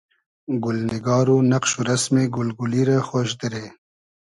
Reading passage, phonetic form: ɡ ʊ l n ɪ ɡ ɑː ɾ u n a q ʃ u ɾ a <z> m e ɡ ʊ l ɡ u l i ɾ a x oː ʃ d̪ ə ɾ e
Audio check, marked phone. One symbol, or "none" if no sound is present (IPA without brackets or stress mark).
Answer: s